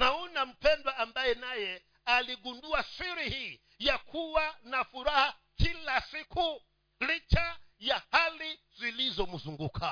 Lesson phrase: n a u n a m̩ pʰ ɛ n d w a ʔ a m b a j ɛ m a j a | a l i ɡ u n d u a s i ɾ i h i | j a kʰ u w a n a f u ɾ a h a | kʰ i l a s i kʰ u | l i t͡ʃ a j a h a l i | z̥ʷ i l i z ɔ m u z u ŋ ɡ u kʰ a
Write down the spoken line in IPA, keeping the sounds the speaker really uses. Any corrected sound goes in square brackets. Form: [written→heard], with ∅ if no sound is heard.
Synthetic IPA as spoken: n a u n a m̩ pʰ ɛ n d w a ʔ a m b a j ɛ [m→n] a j [a→ɛ] | a l i ɡ u n d u a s i ɾ i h i | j a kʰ u w a n a f u ɾ a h a | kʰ i l a s i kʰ u | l i t͡ʃ a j a h a l i | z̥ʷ i l i z ɔ m u z u ŋ ɡ u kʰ a